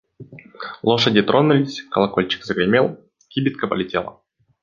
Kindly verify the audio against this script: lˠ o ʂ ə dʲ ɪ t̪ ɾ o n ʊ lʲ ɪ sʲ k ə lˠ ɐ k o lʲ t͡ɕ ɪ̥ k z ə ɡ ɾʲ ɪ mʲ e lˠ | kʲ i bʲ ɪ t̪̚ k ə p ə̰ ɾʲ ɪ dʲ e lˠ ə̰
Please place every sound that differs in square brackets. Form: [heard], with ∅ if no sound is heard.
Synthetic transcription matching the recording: lˠ o ʂ ə dʲ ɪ t̪ ɾ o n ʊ lʲ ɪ sʲ k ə lˠ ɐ k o lʲ t͡ɕ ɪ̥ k z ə ɡ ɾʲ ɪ mʲ e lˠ | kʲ i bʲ ɪ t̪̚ k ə p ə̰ [lʲ] ɪ [tʲ] e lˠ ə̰